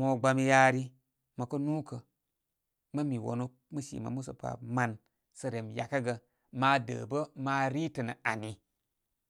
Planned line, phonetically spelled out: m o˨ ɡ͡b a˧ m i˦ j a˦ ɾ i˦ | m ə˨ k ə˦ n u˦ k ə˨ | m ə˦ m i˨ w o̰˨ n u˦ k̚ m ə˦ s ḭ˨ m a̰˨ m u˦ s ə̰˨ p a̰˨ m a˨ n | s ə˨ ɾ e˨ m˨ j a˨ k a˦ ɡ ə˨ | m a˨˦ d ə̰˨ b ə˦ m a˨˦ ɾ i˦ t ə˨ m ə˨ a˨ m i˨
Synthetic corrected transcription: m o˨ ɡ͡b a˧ m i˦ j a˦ ɾ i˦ | m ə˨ k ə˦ n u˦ k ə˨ | m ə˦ m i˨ w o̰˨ n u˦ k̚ m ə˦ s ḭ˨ m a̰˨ m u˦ s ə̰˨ p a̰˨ m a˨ n | s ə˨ ɾ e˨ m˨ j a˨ k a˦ ɡ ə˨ | m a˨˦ d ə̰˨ b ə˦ m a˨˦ ɾ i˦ t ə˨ n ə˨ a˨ n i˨